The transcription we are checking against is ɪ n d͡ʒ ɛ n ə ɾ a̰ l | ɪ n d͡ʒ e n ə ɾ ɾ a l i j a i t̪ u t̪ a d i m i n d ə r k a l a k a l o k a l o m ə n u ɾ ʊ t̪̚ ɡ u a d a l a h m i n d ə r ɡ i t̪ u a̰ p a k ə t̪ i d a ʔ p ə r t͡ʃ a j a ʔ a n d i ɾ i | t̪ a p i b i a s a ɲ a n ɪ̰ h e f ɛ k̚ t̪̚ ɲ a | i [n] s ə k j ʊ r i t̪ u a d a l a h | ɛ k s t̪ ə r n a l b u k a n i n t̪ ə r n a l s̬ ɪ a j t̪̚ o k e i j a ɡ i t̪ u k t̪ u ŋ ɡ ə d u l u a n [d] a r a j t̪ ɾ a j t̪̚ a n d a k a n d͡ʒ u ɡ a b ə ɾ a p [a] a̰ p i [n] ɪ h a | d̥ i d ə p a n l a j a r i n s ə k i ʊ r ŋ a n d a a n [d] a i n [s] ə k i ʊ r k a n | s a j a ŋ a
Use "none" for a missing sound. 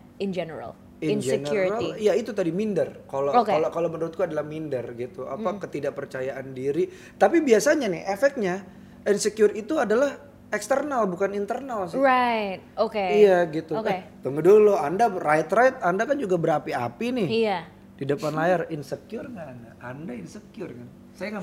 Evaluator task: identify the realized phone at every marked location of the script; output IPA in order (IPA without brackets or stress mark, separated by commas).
n, d, i, n, d, s